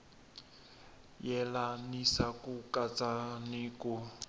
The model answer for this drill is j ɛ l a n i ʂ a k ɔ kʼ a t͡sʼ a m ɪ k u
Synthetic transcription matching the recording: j ɛ l a n i s a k u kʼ a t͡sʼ a n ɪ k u